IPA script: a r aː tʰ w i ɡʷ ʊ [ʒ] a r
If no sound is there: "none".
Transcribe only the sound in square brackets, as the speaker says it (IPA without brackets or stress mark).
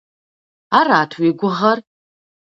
ʁ